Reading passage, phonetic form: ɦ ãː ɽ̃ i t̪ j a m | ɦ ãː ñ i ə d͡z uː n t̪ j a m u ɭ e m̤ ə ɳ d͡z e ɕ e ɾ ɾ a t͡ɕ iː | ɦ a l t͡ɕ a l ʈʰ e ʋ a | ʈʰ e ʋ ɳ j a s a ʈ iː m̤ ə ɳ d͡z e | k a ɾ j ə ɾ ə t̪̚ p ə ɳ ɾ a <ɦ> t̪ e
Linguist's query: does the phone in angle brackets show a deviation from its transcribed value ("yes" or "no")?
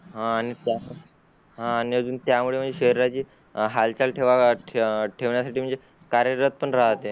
no